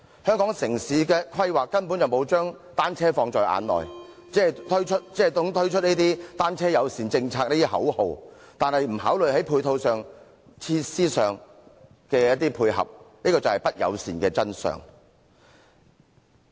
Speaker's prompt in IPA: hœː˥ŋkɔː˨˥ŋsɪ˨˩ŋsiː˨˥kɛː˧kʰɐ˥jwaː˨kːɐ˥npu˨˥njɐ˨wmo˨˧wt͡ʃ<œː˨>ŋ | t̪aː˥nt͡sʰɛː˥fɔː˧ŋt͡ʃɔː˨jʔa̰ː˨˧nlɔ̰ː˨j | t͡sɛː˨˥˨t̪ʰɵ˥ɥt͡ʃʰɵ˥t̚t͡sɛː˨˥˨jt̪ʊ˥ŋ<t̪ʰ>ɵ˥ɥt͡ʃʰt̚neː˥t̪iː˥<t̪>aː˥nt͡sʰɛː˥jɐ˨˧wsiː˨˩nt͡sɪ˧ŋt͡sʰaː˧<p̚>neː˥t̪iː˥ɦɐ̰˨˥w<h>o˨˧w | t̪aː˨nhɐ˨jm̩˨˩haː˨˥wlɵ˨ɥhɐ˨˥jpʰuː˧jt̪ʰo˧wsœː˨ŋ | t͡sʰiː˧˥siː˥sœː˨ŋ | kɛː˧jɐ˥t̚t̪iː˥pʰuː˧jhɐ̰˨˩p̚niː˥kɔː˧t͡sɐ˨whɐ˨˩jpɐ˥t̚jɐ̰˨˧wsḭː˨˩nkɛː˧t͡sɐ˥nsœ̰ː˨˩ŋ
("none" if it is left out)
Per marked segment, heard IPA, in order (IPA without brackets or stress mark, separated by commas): œː˥, t̪ʰ, t̪, k̚, h